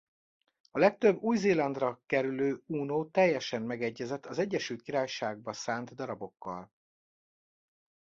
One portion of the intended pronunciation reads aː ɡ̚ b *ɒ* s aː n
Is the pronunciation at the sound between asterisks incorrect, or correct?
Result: correct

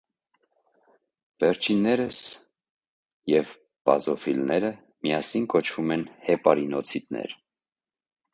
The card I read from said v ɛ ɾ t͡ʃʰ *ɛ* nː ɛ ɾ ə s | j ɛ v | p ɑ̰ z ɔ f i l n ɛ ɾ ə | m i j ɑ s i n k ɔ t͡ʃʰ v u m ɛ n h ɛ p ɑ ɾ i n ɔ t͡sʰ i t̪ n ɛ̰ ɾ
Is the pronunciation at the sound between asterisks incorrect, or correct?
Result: incorrect: i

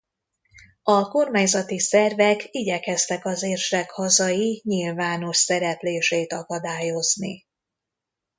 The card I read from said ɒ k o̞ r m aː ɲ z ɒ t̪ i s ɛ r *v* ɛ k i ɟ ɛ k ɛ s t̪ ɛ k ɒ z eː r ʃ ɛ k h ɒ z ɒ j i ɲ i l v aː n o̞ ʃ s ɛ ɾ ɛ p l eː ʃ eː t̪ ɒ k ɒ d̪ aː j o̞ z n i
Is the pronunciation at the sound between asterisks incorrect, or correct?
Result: correct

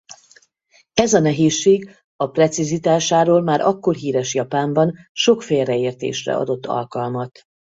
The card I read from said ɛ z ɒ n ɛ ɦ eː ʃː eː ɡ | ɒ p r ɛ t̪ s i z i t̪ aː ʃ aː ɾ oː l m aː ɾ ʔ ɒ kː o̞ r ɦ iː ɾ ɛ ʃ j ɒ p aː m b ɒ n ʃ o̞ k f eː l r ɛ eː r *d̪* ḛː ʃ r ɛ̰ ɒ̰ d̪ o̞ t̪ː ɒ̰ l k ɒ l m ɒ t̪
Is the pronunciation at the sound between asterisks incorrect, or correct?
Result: incorrect: t̪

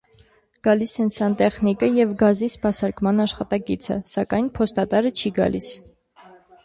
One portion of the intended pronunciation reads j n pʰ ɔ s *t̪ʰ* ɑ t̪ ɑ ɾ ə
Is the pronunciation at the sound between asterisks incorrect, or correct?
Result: incorrect: t̪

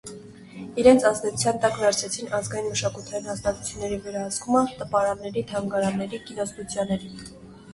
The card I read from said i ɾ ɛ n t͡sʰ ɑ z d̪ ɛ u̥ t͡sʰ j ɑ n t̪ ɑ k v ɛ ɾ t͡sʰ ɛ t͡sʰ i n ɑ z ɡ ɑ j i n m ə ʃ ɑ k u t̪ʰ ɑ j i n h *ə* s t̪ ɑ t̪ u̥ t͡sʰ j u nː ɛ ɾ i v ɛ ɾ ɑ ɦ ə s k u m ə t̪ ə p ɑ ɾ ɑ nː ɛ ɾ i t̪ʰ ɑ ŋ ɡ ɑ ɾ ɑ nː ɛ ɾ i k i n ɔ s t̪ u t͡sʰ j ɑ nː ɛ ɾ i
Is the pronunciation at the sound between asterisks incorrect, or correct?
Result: incorrect: ɑ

